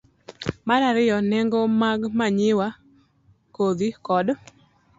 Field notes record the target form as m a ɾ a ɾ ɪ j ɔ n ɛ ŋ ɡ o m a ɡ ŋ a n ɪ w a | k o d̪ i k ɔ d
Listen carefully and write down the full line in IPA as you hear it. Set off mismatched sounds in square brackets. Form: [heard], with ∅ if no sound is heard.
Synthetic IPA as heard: m a ɾ a ɾ ɪ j ɔ n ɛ ŋ ɡ o m a ɡ [m] a [ɲ] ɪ w a | k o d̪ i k ɔ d